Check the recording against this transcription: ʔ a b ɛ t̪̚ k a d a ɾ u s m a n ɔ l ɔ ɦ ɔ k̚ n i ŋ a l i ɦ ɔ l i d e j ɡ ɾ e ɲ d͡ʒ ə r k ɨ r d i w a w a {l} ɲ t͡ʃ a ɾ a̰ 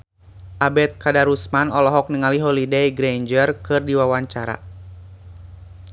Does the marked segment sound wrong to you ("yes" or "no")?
yes